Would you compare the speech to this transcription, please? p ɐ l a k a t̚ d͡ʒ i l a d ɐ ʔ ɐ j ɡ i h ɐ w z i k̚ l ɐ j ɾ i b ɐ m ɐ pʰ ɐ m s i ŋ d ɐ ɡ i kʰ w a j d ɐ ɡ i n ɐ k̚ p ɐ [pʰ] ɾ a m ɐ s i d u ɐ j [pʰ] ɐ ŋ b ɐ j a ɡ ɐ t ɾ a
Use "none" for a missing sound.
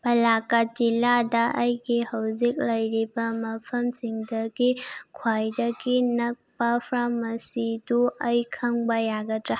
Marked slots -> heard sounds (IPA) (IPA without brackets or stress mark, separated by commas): pʰ, kʰ